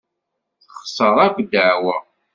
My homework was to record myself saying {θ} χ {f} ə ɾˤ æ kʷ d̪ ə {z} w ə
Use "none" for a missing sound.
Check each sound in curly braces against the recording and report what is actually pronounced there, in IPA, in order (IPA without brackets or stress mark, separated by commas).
θ, s, ʕ